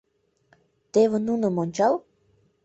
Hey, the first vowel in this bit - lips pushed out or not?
no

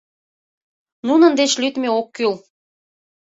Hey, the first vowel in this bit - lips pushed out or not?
yes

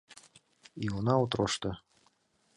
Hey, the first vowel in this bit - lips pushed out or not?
no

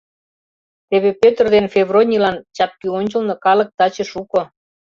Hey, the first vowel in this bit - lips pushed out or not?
no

